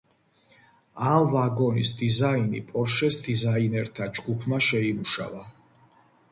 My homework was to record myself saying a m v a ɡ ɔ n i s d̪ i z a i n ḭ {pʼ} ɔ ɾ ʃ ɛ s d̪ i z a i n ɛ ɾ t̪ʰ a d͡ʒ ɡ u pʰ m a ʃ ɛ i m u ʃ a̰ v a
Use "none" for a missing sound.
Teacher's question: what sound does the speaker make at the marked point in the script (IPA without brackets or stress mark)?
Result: pʼ